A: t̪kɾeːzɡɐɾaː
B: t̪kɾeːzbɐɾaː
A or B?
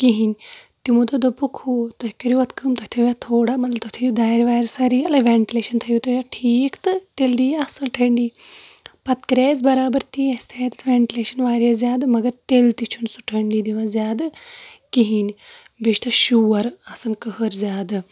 B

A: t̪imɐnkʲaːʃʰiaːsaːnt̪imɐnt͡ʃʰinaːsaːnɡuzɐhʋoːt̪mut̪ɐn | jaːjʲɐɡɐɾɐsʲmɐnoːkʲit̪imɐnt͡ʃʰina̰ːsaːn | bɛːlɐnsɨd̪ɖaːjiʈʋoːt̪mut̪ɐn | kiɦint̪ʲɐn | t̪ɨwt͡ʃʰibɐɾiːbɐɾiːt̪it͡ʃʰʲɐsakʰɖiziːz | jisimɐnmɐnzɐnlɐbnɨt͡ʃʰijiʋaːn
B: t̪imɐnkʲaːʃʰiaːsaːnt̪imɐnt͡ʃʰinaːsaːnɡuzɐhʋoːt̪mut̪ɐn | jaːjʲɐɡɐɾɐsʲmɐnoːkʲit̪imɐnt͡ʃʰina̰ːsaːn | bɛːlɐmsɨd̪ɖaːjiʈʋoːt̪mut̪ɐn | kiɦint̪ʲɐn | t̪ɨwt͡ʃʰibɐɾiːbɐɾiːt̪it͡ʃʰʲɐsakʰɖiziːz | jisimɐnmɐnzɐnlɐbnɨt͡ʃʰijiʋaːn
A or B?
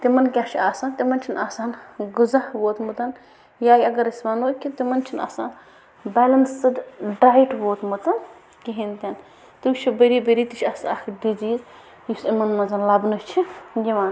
A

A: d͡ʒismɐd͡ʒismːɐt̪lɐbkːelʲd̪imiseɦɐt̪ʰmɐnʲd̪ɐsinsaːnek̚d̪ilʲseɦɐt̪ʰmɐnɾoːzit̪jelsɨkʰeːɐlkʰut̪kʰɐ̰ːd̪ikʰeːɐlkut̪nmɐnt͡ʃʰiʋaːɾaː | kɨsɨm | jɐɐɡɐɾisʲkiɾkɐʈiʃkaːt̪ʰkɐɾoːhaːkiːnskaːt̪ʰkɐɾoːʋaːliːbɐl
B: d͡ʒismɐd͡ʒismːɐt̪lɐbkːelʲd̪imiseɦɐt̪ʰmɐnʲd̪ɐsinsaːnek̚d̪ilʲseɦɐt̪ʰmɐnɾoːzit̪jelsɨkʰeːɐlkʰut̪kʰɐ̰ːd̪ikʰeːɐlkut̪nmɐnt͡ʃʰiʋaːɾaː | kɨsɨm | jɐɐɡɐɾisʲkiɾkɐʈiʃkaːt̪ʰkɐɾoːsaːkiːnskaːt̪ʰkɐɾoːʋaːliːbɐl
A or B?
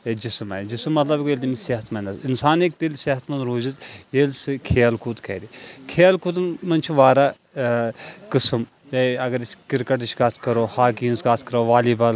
A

